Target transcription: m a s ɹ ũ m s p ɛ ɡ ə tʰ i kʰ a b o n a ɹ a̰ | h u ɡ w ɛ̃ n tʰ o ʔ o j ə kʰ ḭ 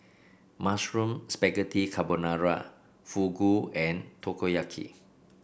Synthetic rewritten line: m a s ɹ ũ m s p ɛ ɡ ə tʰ i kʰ a b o n a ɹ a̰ | f u ɡ u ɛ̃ n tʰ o k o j a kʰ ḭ